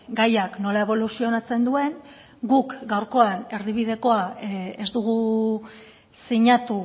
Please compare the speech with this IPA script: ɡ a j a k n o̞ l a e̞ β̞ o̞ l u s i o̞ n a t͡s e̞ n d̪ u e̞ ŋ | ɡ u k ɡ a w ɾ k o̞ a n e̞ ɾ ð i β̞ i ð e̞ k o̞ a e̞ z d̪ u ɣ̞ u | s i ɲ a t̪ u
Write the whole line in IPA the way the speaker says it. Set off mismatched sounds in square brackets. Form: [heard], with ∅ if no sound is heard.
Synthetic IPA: ɡ a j a k n o̞ l a e̞ β̞ o̞ l u s i o̞ n a t͡s e̞ n d̪ u e̞ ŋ | ɡ u k ɡ a w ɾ k o̞ a n e̞ ɾ ð i β̞ i ð e̞ k o̞ a e̞ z d̪ u ɣ̞ u | s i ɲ a t̪ u